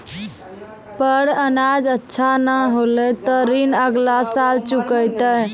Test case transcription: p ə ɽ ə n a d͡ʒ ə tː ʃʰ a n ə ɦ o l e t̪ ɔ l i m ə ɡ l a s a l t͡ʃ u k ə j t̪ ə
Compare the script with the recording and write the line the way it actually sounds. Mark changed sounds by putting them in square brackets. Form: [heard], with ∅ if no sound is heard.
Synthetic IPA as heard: p ə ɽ ə n a d͡ʒ ə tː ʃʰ a n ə ɦ o l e t̪ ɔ [ɾ] i [n] ə ɡ l a s a l t͡ʃ u k ə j t̪ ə